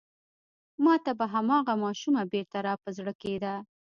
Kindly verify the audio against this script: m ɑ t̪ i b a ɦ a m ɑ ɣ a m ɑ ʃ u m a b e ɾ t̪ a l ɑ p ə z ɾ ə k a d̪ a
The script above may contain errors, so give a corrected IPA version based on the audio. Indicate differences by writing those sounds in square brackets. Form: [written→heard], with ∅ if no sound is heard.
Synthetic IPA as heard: m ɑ t̪ [i→a] b a ɦ a m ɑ ɣ a m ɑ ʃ u m a b e ɾ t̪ a [l→ɾ] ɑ p ə z [ɾ→ɽ] ə k [a→e] d̪ a